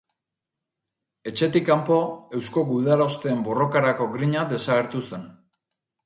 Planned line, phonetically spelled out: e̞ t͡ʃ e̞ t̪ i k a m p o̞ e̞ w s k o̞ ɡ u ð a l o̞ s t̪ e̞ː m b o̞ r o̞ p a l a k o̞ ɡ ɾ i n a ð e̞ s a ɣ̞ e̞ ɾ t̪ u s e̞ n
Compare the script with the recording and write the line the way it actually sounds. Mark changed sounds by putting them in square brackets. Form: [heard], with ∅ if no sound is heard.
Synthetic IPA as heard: e̞ t͡ʃ e̞ t̪ i k a m p o̞ e̞ w s k o̞ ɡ u ð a l o̞ s t̪ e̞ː m b o̞ r o̞ [k] a [ɾ] a k o̞ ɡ ɾ i [ɲ] a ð e̞ s a ɣ̞ e̞ ɾ t̪ u s e̞ n